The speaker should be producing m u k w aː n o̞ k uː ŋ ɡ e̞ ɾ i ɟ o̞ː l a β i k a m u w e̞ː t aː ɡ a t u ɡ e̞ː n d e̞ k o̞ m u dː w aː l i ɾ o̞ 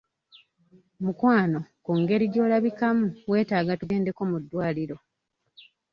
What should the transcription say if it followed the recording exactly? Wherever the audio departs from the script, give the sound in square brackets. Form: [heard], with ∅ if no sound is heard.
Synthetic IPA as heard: m u k w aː n o̞ k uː ŋ ɡ e̞ ɾ i ɟ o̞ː l a β i k a m u w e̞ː t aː ɡ a t u ɡ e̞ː n d e̞ k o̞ m u dː w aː l i ɾ o̞